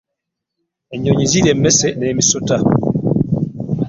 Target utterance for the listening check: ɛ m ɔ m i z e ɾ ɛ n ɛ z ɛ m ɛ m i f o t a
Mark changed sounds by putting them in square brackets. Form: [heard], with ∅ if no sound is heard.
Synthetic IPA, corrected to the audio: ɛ [ɲ] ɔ [ɲ] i z [i] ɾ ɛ [m] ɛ [s] ɛ [n] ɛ m i [s] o t a